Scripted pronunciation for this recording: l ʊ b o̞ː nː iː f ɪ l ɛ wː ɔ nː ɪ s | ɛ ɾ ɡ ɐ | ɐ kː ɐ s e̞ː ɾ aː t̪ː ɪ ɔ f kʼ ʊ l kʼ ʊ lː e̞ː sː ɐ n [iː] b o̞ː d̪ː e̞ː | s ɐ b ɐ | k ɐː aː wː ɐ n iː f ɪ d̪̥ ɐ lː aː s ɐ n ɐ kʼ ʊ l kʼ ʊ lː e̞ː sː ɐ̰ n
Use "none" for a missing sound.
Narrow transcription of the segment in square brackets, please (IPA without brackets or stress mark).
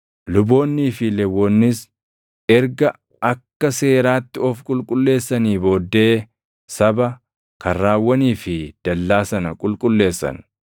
iː